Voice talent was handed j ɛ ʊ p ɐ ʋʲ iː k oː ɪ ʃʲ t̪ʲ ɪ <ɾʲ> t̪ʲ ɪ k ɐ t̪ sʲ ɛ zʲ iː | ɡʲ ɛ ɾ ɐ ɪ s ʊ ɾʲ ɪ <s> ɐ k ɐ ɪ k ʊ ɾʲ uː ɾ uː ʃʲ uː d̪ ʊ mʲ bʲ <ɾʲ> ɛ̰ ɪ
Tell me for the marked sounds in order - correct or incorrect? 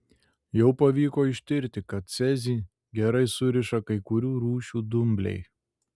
correct, incorrect: ʃ, incorrect: lʲ

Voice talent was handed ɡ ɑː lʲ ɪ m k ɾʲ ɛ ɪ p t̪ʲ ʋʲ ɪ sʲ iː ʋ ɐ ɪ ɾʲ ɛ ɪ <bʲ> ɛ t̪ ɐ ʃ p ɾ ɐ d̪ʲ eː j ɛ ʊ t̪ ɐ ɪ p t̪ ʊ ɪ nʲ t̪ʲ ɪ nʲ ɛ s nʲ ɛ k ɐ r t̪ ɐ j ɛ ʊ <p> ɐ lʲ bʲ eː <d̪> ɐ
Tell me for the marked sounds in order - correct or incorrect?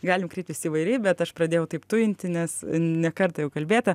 correct, incorrect: k, incorrect: t̪

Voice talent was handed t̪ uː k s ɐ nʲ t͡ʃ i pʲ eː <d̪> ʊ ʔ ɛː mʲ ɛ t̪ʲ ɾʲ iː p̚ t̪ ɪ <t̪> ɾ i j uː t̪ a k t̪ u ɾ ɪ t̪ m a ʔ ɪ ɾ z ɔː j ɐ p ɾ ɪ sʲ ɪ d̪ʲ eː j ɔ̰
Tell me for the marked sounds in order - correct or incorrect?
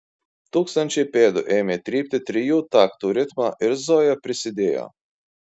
correct, correct

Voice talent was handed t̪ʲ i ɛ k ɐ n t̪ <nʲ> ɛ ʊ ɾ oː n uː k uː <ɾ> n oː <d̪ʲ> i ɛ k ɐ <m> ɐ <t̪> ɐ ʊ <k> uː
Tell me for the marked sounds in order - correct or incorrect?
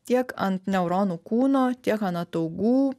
correct, incorrect: none, incorrect: t̪ʲ, incorrect: n, correct, incorrect: ɡ

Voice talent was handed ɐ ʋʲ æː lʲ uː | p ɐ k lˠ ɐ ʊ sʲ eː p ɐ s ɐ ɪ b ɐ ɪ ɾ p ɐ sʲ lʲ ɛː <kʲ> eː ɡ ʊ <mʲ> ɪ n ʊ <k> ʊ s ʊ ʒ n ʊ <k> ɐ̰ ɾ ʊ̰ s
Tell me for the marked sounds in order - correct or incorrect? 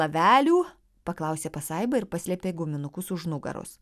incorrect: pʲ, correct, correct, incorrect: ɡ

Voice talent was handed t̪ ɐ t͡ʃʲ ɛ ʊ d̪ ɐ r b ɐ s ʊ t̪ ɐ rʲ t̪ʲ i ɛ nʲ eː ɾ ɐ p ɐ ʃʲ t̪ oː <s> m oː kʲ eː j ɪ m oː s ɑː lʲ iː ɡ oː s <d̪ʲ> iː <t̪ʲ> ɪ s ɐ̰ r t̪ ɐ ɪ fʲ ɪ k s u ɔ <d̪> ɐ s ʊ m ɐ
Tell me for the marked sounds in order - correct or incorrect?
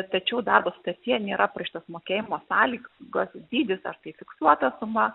correct, correct, incorrect: d̪ʲ, incorrect: t̪

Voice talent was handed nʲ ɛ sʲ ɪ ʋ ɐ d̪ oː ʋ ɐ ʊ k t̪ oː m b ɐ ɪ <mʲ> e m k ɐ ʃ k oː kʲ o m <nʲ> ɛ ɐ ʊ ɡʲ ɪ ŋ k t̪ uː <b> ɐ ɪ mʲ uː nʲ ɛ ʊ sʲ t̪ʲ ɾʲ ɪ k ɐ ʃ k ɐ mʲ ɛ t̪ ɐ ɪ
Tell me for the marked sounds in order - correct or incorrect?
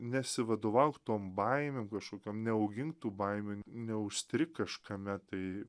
correct, correct, correct

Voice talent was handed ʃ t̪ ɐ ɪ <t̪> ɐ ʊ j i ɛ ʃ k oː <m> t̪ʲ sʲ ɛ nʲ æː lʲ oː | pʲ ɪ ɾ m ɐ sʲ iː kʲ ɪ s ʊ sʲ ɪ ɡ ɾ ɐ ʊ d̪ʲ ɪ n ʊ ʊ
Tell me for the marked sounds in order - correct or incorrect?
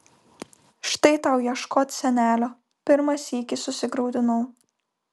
correct, incorrect: none

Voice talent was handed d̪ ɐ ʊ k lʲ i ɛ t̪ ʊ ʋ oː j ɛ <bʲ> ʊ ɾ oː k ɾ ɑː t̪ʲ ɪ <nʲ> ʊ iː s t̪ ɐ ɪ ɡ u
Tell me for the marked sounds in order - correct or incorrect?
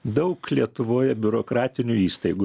correct, correct

